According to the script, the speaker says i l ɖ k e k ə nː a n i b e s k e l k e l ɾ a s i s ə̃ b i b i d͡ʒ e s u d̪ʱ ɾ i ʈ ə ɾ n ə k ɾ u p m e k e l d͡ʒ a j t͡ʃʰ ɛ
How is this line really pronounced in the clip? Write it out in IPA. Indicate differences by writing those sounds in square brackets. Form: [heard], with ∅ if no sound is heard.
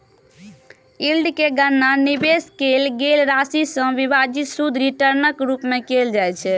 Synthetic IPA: i l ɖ k e [ɡ] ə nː a n i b e s k e l [ɡ] e l ɾ a s i s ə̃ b i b [a] d͡ʒ [i] s u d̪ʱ ɾ i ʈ ə ɾ n ə k ɾ u p m e k e l d͡ʒ a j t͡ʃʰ ɛ